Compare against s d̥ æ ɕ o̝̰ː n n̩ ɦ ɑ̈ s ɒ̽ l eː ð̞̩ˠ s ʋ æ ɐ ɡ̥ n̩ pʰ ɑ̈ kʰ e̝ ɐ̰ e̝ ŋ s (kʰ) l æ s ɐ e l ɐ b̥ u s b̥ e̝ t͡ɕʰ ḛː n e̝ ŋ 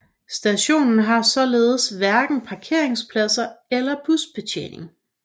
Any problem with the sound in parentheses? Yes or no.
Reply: yes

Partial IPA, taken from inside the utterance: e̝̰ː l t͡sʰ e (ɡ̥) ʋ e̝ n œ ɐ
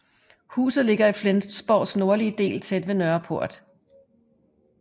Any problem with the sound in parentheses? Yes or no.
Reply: yes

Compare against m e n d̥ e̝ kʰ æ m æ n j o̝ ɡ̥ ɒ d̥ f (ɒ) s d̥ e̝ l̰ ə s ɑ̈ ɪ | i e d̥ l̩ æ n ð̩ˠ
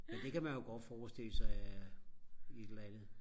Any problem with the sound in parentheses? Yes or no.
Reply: yes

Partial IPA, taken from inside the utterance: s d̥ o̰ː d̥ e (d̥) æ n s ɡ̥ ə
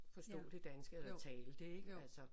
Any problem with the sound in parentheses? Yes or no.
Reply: no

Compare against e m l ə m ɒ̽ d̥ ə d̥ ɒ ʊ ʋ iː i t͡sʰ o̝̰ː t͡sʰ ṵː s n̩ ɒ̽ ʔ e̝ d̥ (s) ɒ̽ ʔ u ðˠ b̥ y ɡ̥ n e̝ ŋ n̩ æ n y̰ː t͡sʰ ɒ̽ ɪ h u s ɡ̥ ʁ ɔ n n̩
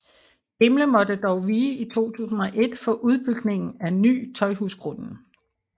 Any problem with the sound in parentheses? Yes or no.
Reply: yes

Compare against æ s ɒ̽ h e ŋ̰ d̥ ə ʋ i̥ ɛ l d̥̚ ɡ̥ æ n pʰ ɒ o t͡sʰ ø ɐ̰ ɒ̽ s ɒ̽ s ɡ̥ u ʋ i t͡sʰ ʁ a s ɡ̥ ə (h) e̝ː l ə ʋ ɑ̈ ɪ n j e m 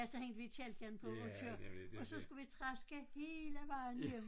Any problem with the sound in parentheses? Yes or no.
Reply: no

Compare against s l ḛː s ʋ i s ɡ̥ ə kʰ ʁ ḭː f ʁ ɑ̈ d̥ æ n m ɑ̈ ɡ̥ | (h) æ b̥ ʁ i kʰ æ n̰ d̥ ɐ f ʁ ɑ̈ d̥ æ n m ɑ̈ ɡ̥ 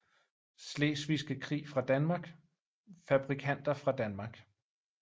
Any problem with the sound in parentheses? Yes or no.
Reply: yes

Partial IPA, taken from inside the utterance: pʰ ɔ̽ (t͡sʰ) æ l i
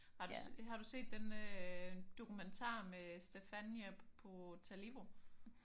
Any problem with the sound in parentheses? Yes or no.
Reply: no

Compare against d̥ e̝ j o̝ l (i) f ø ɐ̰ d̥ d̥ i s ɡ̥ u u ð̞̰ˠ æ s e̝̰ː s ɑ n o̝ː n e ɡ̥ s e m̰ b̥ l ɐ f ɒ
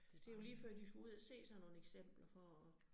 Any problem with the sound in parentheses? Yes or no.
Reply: yes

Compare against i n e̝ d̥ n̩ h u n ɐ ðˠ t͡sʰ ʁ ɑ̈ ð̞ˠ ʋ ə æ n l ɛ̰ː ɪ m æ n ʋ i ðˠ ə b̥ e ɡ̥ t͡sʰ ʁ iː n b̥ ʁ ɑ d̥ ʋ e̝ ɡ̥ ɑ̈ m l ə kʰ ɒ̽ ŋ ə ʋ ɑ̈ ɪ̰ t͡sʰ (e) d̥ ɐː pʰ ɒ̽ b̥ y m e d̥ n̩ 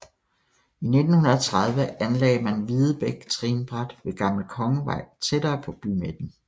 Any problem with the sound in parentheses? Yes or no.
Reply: no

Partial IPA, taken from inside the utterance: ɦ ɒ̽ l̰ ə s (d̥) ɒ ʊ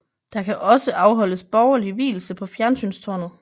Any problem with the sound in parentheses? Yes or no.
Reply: yes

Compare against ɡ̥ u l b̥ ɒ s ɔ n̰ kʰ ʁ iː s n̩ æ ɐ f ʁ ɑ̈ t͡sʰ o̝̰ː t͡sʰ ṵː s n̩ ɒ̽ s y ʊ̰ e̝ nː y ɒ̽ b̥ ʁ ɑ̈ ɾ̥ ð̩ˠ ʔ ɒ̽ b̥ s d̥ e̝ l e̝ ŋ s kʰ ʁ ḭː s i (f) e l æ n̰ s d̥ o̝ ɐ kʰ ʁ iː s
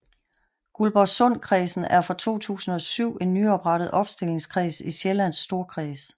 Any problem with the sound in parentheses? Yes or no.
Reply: yes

